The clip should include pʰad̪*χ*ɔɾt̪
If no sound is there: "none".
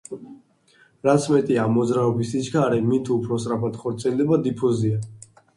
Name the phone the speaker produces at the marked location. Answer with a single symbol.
χ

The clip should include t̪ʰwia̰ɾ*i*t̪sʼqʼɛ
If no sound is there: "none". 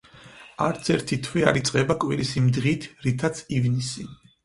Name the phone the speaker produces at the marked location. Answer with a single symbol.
i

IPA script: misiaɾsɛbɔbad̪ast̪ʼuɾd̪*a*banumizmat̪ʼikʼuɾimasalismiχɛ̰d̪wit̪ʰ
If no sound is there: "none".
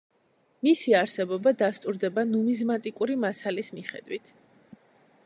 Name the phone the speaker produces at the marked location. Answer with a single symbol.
ɛ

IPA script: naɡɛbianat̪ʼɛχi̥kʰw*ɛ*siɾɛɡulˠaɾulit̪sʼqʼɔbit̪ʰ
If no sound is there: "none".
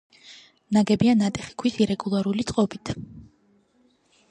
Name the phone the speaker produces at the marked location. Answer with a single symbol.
i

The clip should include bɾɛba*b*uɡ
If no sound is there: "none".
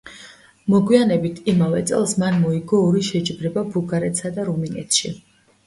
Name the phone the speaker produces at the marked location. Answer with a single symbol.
b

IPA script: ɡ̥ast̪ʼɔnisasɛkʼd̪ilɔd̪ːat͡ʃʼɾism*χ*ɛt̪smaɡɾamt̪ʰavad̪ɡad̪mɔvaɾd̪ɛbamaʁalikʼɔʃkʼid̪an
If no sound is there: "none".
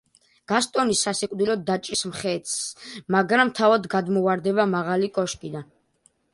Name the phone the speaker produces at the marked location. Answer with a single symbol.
χ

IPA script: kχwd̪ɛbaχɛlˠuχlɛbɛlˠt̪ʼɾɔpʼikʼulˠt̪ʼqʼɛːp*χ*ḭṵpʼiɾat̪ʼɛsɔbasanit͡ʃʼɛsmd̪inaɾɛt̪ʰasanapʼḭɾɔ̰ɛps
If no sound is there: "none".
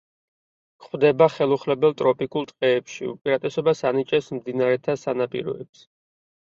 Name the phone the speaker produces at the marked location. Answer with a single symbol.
ʃ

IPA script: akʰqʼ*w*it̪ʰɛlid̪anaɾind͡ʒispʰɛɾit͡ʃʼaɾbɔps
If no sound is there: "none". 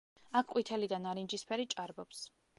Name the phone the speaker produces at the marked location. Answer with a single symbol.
w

